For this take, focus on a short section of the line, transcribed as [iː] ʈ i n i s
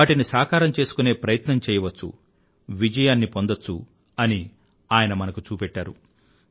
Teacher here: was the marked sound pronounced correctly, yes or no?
no